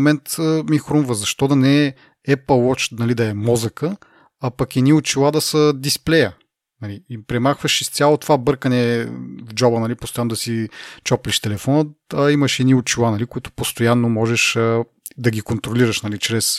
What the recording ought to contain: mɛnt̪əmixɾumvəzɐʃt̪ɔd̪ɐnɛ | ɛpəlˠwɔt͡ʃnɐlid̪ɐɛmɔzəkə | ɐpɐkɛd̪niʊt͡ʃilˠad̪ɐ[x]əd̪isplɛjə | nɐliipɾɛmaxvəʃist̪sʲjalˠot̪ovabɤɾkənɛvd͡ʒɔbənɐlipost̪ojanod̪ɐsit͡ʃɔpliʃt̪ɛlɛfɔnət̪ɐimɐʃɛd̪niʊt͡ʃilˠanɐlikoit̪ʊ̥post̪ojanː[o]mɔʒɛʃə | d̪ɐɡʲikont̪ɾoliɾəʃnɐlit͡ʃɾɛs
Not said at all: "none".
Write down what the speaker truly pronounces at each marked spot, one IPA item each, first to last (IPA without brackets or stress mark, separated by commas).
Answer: s, o